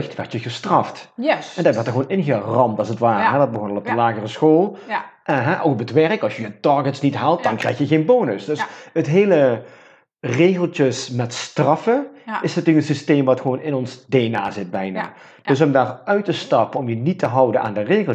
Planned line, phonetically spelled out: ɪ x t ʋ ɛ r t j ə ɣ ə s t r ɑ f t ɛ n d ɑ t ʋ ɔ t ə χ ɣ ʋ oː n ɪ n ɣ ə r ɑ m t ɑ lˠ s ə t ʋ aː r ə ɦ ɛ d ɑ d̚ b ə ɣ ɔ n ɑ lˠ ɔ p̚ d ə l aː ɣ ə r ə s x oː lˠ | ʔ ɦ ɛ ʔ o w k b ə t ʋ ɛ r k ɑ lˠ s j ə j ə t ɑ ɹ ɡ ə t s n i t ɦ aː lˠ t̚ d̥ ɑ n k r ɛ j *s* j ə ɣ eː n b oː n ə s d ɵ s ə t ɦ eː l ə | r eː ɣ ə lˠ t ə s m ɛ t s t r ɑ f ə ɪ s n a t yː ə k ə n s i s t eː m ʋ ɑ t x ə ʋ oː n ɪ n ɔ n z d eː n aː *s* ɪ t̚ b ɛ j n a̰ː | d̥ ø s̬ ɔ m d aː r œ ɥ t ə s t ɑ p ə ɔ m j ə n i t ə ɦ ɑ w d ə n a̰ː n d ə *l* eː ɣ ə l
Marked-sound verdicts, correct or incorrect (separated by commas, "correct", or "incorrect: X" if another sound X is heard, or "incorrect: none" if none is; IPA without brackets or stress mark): incorrect: x, incorrect: z, incorrect: r